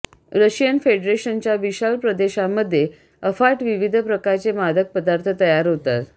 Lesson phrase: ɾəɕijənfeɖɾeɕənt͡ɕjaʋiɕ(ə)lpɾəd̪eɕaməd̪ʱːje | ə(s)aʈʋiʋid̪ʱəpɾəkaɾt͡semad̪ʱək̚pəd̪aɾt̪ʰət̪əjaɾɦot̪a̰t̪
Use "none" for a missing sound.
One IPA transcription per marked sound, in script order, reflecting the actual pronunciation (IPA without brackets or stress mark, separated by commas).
a, f